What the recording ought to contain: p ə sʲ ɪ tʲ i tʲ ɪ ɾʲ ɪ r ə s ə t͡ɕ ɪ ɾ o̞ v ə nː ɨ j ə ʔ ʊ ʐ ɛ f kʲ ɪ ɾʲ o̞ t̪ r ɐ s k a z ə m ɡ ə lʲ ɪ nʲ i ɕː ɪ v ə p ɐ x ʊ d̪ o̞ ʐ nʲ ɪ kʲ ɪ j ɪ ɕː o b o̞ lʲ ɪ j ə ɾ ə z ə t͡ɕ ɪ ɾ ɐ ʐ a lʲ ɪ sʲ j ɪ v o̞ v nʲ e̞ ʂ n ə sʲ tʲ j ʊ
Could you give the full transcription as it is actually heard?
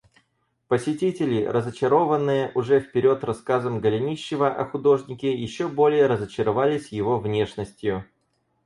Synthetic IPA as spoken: p ə sʲ ɪ tʲ i tʲ ɪ lʲ ɪ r ə z ə t͡ɕ ɪ ɾ o̞ v ə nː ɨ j ə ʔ ʊ ʐ ɛ f pʲ ɪ ɾʲ o̞ t̪ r ɐ s k a z ə m ɡ ə lʲ ɪ nʲ i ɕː ɪ v ə ʔ ɐ x ʊ d̪ o̞ ʐ nʲ ɪ kʲ ɪ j ɪ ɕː o b o̞ lʲ ɪ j ə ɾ ə z ə t͡ɕ ɪ ɾ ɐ v a lʲ ɪ sʲ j ɪ v o̞ v nʲ e̞ ʂ n ə sʲ tʲ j ʊ